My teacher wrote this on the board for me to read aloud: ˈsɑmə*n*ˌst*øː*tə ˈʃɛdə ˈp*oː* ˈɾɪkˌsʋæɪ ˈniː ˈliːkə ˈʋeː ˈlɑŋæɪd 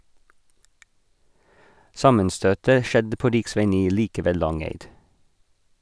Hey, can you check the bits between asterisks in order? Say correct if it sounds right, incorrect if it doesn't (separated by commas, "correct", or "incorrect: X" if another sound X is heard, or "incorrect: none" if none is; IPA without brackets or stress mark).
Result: correct, correct, correct